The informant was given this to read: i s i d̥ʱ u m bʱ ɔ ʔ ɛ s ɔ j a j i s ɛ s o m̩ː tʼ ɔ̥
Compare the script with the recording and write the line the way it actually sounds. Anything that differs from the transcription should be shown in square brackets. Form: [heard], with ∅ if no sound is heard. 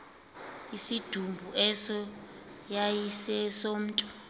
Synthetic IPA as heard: i s i d̥ʱ u m bʱ [u] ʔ ɛ s ɔ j a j i s ɛ s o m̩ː tʼ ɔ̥